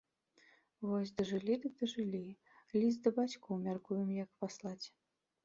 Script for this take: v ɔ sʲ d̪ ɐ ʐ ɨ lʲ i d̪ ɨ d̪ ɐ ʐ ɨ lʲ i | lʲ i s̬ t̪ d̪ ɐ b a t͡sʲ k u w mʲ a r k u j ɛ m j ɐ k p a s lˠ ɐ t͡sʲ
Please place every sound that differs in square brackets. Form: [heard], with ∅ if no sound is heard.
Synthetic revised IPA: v ɔ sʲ d̪ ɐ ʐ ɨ lʲ i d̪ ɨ d̪ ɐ ʐ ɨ lʲ i | lʲ i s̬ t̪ d̪ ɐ b a t͡sʲ k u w mʲ a r k u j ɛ m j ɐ k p a s lˠ [a] t͡sʲ